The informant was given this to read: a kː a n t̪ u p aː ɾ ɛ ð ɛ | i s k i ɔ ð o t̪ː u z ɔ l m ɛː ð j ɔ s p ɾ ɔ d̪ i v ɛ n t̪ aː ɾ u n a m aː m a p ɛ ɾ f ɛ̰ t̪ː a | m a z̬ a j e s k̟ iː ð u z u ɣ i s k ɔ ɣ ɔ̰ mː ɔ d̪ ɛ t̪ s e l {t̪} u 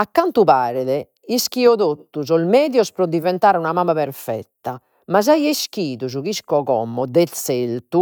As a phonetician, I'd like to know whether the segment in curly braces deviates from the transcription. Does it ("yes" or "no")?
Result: no